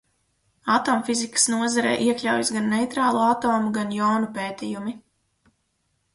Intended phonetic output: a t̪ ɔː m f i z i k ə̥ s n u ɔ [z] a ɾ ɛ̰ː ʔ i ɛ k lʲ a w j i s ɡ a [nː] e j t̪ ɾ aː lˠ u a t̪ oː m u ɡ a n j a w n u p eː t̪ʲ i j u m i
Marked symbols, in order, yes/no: yes, yes

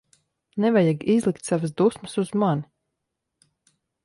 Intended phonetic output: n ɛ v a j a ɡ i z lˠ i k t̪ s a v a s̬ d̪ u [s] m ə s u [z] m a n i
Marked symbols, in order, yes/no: yes, yes

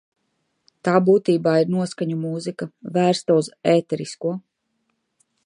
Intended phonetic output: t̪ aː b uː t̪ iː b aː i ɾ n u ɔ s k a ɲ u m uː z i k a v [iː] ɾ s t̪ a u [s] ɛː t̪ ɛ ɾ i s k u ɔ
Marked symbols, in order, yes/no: no, no

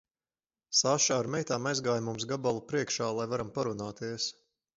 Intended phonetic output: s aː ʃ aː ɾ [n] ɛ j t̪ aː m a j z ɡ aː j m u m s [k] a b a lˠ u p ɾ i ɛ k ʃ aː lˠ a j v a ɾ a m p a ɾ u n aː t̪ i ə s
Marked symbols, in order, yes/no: no, no

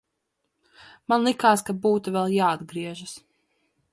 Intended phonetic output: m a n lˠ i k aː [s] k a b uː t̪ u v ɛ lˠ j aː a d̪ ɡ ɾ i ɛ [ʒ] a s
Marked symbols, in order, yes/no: yes, yes

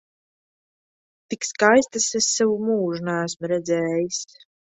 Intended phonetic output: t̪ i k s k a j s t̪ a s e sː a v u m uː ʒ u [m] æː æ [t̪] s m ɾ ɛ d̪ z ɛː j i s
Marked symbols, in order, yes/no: no, no

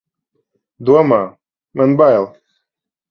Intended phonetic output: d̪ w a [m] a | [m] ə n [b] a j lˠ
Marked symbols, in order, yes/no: yes, yes, yes

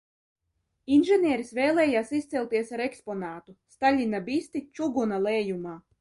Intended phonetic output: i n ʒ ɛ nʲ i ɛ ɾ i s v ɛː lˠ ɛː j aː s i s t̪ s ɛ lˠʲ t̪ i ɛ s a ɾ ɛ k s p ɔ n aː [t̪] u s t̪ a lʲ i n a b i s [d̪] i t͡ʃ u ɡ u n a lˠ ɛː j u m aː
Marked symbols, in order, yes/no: yes, no

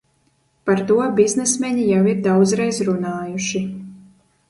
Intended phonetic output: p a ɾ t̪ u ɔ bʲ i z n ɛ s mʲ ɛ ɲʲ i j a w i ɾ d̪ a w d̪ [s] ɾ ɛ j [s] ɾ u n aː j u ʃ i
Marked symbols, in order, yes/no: no, no

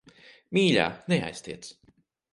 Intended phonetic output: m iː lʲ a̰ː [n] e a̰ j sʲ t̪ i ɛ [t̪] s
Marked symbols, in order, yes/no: yes, yes

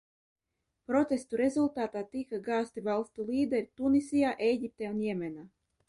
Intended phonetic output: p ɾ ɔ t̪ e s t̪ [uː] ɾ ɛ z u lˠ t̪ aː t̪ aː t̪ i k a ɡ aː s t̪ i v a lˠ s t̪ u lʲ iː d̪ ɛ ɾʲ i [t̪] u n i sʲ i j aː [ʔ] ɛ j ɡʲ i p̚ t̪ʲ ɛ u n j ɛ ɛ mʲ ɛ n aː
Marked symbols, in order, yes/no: no, yes, yes

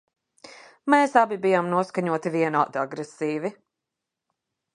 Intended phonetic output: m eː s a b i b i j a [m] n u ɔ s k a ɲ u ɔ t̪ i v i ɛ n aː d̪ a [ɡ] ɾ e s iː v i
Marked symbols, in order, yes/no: yes, yes

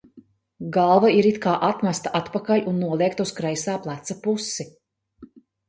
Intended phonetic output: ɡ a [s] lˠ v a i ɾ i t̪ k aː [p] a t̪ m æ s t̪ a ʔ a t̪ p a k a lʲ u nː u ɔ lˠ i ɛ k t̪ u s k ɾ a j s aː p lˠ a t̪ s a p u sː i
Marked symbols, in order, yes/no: no, no

